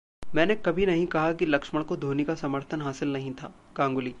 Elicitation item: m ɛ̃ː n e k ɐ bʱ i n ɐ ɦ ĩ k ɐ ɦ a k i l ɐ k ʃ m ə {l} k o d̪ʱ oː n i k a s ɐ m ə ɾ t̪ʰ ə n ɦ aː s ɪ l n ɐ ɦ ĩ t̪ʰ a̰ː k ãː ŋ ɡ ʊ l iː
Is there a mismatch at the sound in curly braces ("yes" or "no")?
yes